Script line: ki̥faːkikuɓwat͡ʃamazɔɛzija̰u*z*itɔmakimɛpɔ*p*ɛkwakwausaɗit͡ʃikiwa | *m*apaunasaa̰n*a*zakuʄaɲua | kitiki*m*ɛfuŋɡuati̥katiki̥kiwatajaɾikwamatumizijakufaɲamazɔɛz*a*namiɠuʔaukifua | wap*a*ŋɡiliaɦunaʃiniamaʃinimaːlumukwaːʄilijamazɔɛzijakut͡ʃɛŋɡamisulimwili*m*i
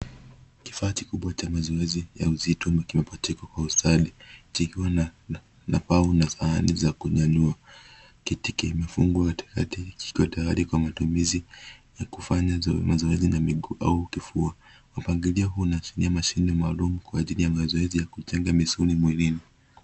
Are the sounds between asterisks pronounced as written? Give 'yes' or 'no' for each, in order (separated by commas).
yes, no, no, no, yes, no, yes, no